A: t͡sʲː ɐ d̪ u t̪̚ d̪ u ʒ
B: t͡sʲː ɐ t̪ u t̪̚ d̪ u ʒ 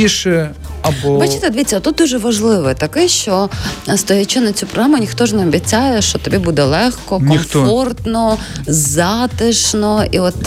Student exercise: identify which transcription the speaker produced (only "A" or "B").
B